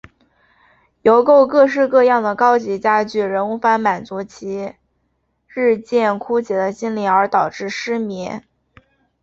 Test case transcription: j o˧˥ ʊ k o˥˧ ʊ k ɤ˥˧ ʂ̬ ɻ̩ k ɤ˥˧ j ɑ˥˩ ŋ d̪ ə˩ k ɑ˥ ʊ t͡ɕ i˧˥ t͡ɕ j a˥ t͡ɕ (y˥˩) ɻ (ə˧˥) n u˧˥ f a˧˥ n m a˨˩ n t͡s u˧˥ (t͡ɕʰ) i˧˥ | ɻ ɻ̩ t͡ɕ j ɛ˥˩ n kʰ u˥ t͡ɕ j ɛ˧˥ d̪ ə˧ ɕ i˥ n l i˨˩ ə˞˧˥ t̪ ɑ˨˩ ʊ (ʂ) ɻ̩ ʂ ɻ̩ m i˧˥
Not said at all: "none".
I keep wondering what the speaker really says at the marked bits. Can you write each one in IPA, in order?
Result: y˥˩, ə˧˥, t͡ɕʰ, ʈ͡ʂ

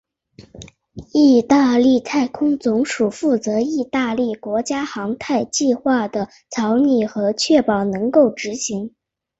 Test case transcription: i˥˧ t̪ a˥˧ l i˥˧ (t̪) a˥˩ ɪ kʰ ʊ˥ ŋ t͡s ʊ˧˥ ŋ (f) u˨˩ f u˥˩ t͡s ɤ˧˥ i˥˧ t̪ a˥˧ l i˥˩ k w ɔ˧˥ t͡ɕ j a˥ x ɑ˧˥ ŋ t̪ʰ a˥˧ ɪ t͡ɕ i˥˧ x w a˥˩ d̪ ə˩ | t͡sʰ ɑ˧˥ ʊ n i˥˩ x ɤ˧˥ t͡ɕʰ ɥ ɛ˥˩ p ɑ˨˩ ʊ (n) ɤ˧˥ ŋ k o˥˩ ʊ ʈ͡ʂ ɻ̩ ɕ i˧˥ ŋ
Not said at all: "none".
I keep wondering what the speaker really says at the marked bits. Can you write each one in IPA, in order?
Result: t̪ʰ, ʂ, n

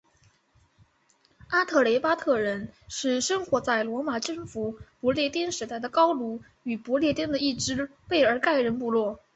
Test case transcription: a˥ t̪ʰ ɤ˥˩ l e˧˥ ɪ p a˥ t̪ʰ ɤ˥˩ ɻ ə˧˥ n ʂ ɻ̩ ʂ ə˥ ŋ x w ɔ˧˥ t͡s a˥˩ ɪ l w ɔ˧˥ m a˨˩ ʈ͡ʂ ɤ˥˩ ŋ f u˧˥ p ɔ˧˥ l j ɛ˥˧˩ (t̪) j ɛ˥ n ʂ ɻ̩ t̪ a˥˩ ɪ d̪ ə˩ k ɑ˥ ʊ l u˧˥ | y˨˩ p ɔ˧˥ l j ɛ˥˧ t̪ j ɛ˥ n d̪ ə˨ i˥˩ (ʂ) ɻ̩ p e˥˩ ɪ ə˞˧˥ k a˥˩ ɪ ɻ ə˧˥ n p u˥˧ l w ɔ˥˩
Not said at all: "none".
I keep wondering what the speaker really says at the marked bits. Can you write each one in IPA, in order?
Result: t̪, ʈ͡ʂ

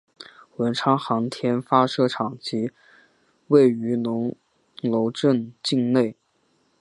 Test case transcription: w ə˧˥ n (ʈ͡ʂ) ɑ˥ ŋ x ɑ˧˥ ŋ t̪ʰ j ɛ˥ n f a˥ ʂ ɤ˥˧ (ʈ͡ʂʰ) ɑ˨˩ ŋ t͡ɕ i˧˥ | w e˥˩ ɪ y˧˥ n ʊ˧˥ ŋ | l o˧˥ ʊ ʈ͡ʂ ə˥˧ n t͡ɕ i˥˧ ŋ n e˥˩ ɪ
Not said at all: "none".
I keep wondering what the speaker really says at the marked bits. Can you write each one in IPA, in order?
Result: ʈ͡ʂʰ, ʈ͡ʂʰ

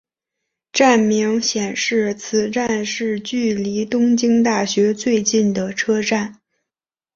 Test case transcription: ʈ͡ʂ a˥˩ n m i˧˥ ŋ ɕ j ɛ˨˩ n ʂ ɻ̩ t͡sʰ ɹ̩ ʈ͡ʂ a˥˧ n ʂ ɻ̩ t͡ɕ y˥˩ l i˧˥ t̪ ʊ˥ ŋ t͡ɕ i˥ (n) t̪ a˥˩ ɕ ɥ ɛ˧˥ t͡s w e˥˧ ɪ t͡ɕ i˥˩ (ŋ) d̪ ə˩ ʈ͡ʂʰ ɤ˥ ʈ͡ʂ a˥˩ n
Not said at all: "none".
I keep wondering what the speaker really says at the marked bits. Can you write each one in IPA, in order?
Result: ŋ, n

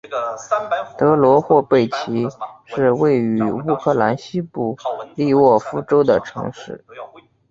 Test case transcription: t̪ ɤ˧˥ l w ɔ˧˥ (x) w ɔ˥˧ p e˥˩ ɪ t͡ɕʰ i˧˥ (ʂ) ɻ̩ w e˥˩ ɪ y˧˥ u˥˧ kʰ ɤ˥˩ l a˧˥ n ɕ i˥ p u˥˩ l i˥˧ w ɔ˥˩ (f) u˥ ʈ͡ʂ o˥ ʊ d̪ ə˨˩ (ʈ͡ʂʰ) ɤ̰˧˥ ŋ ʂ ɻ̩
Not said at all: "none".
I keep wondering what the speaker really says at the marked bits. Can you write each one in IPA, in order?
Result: x, ʂ, f, ʈ͡ʂʰ

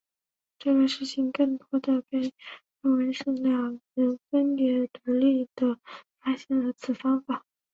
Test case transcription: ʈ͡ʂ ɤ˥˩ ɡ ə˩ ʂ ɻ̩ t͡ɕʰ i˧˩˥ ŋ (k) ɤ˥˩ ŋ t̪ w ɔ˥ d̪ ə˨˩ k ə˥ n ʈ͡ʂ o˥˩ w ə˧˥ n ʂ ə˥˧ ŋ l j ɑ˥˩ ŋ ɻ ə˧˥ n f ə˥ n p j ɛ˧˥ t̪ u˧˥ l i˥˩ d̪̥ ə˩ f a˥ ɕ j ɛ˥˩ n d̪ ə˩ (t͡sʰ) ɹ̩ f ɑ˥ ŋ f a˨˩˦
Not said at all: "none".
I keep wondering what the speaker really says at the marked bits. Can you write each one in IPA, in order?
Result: k, t͡sʰ

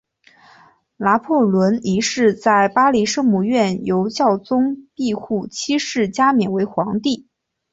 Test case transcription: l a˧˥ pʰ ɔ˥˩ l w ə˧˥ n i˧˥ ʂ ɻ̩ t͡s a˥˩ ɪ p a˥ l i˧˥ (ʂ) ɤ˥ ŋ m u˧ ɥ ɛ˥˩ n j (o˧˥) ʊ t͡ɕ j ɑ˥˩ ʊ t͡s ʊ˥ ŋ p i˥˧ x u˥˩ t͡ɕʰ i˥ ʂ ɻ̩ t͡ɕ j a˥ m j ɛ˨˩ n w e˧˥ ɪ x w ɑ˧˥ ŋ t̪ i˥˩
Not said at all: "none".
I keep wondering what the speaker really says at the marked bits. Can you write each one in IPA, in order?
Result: ʂ, o˧˥

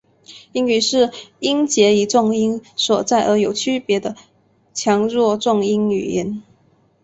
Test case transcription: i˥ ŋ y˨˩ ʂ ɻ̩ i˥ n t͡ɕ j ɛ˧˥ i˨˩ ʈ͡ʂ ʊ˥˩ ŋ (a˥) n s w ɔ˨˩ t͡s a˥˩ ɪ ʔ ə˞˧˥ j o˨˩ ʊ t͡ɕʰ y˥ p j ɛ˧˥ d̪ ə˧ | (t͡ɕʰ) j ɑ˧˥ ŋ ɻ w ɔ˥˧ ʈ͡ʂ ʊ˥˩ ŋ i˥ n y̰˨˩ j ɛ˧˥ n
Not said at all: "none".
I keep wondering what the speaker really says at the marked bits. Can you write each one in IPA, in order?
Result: i˥, t͡ɕʰ

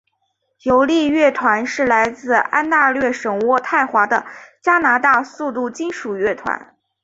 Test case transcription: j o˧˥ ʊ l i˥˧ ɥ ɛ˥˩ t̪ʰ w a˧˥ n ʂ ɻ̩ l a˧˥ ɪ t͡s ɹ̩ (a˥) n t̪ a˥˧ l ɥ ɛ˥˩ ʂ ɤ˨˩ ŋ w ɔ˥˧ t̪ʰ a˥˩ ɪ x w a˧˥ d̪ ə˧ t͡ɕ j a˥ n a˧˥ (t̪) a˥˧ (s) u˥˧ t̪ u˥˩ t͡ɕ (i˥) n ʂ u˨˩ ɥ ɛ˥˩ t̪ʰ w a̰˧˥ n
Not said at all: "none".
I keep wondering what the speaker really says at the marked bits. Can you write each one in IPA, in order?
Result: a˥, t̪, s, i˥

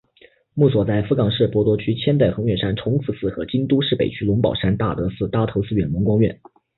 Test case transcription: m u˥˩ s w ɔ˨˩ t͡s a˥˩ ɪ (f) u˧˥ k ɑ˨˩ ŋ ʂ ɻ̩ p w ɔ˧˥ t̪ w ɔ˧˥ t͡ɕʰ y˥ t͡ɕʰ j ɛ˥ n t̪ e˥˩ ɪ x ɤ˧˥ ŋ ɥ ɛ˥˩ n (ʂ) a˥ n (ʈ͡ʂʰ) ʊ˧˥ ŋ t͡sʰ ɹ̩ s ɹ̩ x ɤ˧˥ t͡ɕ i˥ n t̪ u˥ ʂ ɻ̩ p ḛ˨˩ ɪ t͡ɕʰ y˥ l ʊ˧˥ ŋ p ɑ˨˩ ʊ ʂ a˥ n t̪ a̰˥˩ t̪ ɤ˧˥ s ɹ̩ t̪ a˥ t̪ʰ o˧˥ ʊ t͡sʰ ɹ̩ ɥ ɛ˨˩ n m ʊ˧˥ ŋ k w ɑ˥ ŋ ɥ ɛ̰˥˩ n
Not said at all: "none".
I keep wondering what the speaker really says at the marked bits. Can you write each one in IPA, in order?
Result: f, ʂ, ʈ͡ʂʰ

